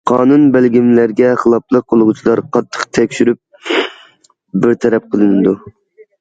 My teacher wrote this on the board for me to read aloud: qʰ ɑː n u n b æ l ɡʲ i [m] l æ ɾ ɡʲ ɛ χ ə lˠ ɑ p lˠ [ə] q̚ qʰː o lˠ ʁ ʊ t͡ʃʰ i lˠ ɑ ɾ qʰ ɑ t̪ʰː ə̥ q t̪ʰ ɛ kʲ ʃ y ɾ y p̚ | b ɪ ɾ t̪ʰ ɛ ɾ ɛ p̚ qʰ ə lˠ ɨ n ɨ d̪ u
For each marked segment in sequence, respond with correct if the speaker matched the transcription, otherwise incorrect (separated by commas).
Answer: correct, correct